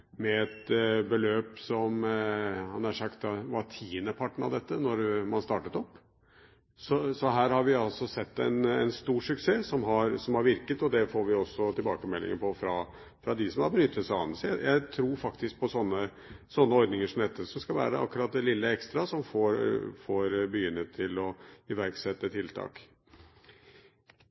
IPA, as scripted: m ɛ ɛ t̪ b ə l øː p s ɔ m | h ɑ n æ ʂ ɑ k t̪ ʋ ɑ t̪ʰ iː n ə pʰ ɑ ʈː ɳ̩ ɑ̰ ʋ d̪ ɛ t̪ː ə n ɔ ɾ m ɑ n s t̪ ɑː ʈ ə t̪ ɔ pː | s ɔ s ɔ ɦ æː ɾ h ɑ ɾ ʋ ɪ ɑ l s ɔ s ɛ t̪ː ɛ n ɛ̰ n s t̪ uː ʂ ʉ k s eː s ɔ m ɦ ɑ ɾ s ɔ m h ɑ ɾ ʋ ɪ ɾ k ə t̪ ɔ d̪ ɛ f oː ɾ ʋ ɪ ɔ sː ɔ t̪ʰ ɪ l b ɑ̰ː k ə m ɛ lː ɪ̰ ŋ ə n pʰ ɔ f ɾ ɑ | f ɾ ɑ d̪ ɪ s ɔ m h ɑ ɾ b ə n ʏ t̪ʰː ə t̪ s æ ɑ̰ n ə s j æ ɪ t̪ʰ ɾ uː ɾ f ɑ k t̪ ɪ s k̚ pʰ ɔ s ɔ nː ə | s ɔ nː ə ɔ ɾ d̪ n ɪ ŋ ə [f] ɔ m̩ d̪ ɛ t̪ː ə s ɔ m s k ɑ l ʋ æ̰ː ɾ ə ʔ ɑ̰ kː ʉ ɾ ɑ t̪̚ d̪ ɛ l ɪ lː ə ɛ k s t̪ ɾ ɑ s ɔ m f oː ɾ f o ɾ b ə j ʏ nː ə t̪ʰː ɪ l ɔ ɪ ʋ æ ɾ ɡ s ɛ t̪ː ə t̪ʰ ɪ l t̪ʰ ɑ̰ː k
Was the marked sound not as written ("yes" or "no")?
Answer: yes